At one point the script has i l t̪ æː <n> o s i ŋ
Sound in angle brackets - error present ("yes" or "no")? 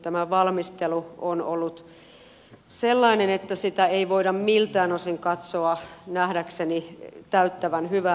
no